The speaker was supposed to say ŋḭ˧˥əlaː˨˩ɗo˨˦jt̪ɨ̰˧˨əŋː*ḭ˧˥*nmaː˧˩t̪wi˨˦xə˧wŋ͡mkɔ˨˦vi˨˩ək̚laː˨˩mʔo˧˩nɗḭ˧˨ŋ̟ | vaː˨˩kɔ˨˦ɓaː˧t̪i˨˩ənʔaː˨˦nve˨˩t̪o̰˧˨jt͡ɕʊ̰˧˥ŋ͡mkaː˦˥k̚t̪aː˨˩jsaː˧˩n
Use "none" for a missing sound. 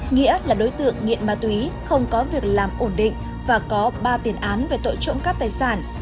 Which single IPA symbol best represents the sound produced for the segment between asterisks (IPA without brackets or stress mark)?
ḭ˧˨